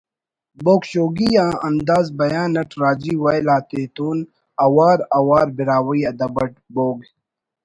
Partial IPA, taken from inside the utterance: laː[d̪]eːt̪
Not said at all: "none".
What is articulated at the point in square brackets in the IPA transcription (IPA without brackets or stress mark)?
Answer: t̪